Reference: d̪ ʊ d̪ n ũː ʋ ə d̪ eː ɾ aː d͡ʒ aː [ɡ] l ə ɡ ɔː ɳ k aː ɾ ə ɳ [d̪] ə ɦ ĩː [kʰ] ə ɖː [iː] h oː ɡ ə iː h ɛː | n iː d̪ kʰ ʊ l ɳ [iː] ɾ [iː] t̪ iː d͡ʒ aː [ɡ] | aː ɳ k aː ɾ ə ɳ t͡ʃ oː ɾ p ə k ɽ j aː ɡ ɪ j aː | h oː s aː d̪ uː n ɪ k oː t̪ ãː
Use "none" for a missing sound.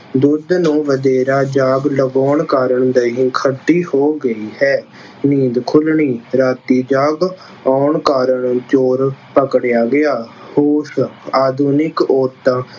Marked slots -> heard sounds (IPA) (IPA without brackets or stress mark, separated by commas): ɡ, d̪, kʰ, iː, iː, aː, ɡ